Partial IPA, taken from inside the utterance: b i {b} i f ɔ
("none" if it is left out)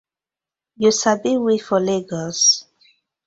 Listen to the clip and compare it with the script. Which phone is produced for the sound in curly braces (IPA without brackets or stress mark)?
w